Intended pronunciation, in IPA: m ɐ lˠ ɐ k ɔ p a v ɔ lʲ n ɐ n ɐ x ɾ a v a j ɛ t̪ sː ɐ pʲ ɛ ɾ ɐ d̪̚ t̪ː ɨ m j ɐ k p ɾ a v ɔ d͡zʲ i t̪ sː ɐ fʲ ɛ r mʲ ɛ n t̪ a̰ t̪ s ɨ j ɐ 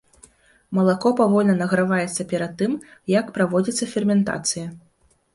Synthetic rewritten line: m ɐ lˠ a k ɔ p a v ɔ lʲ n ɐ n ɐ ɣ ɾ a v a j ɛ t̪ sː ɐ pʲ ɛ ɾ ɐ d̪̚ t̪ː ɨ m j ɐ k p ɾ a v ɔ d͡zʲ i t̪ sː ɐ fʲ ɛ r mʲ ɛ n t̪ a̰ t̪ s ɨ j ɐ